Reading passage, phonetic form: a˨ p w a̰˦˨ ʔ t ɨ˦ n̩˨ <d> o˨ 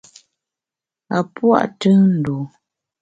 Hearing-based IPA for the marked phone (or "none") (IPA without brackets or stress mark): d